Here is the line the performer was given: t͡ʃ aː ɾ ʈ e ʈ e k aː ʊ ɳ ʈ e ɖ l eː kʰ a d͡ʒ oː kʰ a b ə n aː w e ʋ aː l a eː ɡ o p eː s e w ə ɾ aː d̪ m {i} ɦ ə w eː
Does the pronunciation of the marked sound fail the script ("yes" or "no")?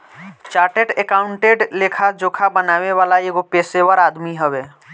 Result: no